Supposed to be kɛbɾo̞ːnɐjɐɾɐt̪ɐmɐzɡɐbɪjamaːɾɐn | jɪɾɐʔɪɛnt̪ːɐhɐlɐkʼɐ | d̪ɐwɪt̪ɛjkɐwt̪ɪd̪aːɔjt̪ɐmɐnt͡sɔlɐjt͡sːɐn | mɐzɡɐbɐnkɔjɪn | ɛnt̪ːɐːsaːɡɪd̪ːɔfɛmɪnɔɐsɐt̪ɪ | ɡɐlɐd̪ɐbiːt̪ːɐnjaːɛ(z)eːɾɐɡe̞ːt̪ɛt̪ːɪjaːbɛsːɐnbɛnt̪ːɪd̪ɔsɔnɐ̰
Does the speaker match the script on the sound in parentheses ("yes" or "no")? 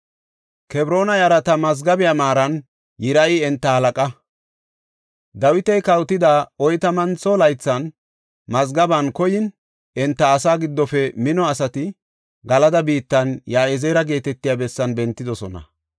yes